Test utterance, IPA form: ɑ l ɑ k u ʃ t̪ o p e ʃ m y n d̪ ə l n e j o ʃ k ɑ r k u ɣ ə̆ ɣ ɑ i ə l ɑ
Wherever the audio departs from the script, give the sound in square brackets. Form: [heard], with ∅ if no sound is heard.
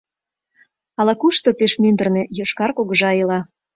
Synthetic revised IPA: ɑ l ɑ k u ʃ t̪ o p e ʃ m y n d̪ ə [r] n e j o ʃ k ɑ r k [o] ɣ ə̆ [ʒ] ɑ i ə l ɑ